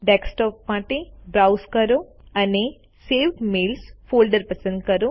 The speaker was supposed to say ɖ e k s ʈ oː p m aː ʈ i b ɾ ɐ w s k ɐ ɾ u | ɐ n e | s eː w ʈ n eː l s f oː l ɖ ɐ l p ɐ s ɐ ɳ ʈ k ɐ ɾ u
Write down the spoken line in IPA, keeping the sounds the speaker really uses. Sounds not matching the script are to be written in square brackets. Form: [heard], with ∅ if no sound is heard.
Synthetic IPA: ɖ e k s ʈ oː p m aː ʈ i b ɾ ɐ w s k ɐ ɾ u | ɐ n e | s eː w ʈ [m] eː l s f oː l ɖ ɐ [ɾ] p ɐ s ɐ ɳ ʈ k ɐ ɾ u